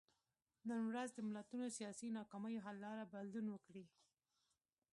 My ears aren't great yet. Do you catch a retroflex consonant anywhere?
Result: yes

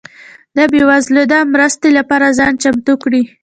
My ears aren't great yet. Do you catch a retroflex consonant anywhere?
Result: yes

